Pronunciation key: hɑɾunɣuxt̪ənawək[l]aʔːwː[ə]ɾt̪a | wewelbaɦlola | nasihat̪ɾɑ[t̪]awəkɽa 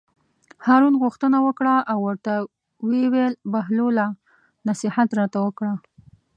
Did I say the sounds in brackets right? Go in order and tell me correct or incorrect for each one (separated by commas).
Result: incorrect, correct, correct